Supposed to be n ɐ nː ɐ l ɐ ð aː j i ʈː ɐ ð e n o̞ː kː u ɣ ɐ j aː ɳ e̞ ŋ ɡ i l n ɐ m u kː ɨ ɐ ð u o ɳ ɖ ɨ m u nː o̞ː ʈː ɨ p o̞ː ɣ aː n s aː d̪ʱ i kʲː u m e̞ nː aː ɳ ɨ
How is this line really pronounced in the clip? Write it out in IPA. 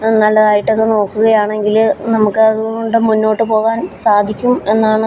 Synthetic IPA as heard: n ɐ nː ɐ l ɐ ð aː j i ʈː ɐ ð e n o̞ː kː u ɣ ɐ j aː ɳ e̞ ŋ ɡ i l n ɐ m u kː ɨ ɐ ð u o ɳ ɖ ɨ m u nː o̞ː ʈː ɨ p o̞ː ɣ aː n s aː d̪ʱ i kʲː u m e̞ nː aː ɳ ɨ

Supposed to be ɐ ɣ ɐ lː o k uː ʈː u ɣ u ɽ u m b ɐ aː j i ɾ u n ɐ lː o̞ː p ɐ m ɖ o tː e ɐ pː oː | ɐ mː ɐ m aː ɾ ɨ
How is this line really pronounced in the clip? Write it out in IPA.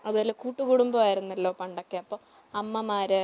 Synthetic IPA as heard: ɐ ð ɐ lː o k uː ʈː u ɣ u ɽ u m b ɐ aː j i ɾ u nː ɐ lː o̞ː p ɐ ɳ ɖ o kː e ɐ pː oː | ɐ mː ɐ m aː ɾ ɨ

